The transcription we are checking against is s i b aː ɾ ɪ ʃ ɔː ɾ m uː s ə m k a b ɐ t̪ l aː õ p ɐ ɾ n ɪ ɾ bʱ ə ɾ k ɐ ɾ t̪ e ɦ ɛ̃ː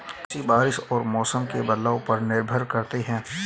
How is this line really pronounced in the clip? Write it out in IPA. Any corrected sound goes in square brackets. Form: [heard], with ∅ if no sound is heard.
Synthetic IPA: s i b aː ɾ ɪ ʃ ɔː ɾ m [ɔː] s ə m k [e] b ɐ [d̪] l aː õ p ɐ ɾ n ɪ ɾ bʱ ə ɾ k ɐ ɾ t̪ e ɦ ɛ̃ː